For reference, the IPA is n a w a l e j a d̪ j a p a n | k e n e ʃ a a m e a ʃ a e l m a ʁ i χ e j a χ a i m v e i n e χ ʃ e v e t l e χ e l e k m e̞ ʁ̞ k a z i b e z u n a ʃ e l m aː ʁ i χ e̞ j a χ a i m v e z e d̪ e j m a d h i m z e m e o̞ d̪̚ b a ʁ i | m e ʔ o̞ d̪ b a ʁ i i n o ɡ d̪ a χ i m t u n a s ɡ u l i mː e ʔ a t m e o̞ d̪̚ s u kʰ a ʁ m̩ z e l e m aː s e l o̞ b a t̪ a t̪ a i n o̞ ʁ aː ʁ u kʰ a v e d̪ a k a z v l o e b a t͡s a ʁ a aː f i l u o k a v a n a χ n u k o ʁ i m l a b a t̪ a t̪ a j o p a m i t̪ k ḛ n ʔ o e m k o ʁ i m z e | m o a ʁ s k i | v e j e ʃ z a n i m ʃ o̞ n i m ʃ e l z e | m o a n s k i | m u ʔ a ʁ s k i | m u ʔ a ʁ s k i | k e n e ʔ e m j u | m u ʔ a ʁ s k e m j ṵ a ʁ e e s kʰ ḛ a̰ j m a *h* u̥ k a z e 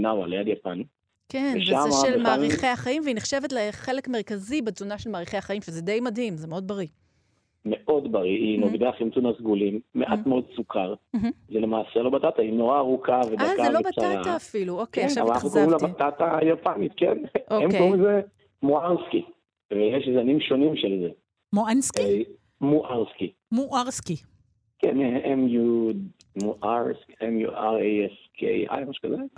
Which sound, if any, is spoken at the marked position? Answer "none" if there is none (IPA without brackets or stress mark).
ʃ